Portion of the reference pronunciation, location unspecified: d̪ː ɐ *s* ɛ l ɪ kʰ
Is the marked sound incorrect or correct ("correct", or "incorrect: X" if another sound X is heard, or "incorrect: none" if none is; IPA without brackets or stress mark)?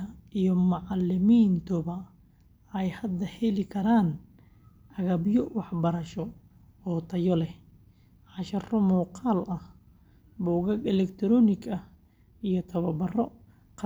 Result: incorrect: h